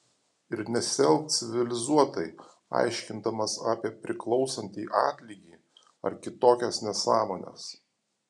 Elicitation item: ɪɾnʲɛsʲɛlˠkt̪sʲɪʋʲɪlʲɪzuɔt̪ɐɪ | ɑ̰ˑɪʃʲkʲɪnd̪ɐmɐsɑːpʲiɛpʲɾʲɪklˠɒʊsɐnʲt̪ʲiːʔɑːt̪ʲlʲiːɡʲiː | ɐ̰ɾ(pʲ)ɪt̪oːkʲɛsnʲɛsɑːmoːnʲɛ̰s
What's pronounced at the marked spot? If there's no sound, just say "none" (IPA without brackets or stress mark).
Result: kʲ